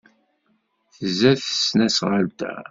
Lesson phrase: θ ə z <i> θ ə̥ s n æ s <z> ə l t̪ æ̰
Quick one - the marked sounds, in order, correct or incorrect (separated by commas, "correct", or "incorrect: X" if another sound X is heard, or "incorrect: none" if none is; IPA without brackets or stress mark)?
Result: incorrect: æ, incorrect: ʁ